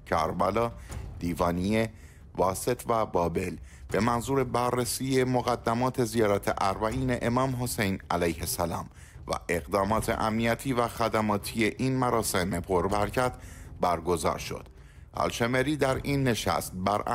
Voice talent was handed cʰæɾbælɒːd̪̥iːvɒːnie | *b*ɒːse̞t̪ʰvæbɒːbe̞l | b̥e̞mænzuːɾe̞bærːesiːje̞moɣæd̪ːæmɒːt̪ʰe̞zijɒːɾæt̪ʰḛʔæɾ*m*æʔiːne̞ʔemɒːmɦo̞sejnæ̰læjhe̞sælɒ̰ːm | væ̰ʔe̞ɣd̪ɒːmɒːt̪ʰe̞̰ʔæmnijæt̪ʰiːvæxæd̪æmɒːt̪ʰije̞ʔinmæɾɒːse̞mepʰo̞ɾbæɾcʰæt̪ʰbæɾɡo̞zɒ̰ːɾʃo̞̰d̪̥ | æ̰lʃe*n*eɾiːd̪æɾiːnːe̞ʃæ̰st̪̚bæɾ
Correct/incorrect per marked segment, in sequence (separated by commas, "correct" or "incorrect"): incorrect, incorrect, incorrect